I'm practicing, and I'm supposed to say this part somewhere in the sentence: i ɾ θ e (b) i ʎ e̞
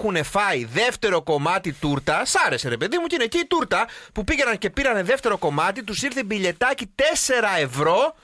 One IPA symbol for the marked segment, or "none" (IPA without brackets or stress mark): b